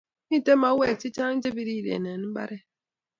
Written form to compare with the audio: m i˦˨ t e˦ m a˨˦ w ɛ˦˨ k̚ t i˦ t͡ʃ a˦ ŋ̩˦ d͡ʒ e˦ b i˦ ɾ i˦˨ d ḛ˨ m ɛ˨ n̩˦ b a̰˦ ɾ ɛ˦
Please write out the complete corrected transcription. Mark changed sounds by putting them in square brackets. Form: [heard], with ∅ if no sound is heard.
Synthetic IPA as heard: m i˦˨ t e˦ m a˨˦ w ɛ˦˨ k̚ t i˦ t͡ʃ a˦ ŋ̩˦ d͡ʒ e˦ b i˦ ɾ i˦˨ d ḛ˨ [n] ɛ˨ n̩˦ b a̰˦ ɾ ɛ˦